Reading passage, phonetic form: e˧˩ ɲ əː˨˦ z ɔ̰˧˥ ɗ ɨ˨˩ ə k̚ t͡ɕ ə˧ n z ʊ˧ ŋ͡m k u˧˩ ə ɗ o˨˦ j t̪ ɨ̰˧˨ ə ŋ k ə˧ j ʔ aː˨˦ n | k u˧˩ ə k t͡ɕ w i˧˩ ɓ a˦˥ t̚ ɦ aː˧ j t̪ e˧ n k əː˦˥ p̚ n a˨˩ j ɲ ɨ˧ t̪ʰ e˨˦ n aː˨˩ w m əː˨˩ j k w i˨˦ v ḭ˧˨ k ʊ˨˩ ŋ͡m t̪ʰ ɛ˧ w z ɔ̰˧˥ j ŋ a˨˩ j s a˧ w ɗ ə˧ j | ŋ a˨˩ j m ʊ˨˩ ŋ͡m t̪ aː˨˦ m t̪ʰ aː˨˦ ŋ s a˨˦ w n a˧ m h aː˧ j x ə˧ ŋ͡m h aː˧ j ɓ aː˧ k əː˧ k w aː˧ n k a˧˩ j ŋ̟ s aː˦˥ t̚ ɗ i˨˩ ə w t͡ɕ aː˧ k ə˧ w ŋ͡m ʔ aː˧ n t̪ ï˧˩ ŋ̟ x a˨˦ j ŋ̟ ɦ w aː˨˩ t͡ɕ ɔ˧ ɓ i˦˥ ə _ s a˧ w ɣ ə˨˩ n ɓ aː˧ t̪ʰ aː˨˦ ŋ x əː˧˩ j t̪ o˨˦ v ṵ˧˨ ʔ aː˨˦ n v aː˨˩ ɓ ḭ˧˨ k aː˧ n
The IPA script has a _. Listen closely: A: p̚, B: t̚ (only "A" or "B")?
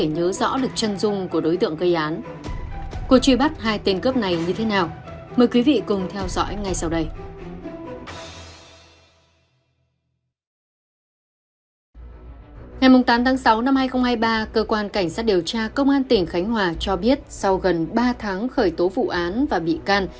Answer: B